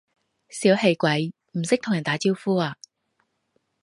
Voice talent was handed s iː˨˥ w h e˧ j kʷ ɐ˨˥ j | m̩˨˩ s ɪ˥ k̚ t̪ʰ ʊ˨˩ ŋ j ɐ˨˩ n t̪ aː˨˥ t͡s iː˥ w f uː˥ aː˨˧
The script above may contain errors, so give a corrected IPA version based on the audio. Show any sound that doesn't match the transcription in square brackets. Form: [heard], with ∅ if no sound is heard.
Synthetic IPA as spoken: s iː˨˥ w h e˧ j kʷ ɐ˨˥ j | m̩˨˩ s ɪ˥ k̚ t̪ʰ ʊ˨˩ ŋ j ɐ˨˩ n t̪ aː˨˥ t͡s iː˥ w f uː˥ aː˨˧